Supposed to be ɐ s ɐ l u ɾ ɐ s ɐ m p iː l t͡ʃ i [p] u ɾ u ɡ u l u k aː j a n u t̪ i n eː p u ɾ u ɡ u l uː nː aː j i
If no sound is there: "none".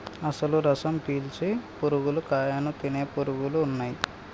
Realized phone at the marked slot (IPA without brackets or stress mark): p